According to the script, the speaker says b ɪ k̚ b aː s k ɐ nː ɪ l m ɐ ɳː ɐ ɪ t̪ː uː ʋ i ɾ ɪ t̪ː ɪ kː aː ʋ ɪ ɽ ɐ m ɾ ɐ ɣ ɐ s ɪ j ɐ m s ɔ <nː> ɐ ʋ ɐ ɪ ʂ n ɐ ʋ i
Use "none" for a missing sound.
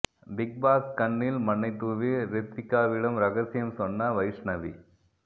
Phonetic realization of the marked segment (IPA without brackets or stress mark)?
nː